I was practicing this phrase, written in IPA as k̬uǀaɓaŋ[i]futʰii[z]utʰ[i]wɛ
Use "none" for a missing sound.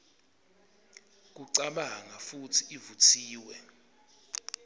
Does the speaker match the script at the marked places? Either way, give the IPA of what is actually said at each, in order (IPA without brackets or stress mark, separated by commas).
a, v, iː